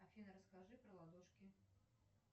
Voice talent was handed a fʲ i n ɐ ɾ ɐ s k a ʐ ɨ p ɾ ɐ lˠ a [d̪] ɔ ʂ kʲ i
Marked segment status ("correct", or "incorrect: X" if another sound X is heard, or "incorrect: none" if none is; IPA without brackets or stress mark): correct